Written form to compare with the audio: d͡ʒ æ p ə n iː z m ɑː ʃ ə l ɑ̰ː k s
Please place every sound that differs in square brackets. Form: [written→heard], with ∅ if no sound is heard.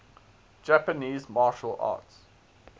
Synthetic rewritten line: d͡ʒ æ p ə n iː z m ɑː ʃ ə l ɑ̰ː [k→t] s